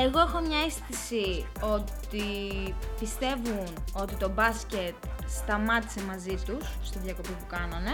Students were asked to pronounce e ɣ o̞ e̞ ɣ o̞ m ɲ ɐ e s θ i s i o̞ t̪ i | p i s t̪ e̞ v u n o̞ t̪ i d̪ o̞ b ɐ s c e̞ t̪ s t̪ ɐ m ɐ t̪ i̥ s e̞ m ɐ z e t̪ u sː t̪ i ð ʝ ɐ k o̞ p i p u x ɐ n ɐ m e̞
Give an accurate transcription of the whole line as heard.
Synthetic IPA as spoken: e ɣ o̞ e̞ x o̞ m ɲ ɐ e s θ i s i o̞ t̪ i | p i s t̪ e̞ v u n o̞ t̪ i t̪ o̞ b ɐ s c e̞ t̪ s t̪ ɐ m ɐ t̪ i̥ s e̞ m ɐ z i t̪ u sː t̪ i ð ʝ ɐ k o̞ p i p u k ɐ n ɐ n e̞